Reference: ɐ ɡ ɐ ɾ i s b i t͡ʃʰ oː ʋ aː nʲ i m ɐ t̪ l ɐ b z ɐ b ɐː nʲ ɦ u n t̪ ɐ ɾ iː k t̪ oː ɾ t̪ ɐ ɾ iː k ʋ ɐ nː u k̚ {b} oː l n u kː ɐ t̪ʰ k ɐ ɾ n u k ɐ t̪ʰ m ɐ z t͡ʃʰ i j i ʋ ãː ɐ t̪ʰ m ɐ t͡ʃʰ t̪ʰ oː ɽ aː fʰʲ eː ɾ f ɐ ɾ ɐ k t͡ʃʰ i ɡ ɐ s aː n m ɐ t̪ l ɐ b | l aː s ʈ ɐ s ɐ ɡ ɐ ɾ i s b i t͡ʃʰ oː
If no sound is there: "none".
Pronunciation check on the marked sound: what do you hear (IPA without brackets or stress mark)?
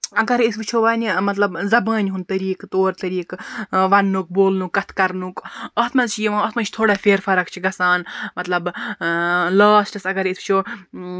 b